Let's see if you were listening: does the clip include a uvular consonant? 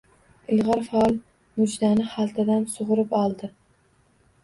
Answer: yes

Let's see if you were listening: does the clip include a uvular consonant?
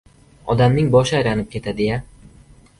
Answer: no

